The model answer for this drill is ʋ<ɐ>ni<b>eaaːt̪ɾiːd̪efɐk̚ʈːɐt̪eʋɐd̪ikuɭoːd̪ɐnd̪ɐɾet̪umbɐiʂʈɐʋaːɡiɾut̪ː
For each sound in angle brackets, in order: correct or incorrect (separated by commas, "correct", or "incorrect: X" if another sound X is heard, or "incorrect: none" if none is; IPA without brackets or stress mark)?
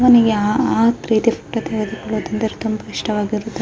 correct, incorrect: ɡ